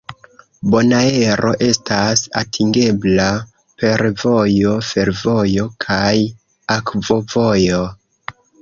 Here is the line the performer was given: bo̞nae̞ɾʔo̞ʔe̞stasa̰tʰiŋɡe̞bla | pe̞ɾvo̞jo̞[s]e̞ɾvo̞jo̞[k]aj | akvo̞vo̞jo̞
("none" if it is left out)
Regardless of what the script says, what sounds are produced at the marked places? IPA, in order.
f, kʰ

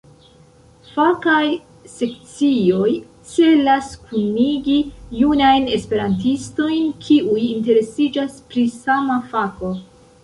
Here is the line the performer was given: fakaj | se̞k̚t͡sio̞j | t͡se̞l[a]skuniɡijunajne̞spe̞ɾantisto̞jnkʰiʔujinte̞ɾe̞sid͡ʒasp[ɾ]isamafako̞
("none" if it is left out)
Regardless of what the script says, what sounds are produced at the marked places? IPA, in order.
a, ɾ

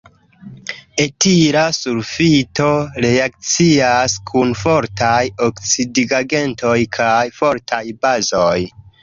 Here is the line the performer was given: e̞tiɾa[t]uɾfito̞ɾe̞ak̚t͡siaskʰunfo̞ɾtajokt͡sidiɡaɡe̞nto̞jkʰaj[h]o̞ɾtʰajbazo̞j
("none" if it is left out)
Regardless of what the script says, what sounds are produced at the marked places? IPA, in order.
s, f

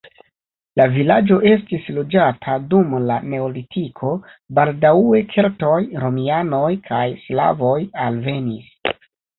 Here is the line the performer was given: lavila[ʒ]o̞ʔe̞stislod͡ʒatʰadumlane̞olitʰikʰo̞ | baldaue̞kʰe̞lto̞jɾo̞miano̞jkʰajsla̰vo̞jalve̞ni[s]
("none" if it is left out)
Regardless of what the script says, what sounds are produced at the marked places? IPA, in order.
d͡ʒ, s

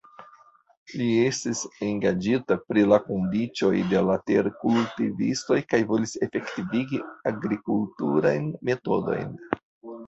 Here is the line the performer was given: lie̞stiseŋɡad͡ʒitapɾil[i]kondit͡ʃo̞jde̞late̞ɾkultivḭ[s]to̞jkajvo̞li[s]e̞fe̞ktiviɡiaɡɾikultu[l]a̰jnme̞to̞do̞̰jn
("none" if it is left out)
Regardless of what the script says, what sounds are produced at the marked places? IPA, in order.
a, s, s, ɾ

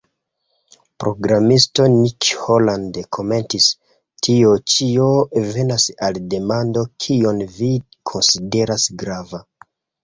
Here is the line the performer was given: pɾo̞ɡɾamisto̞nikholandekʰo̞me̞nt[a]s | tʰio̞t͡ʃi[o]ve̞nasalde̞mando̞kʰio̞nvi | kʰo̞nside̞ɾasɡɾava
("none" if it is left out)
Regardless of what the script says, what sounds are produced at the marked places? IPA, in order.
i, o

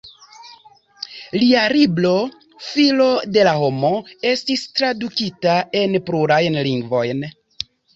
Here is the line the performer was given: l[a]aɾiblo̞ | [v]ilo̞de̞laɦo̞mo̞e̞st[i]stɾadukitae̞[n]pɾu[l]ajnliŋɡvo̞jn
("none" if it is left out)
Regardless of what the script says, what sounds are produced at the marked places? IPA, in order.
i, f, i, n, ɾ

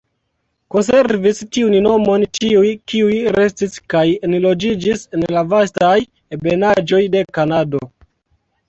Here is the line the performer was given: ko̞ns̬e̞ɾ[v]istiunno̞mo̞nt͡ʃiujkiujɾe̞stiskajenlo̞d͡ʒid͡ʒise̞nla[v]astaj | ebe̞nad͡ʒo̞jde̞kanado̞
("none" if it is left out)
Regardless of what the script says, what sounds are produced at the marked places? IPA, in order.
v, v

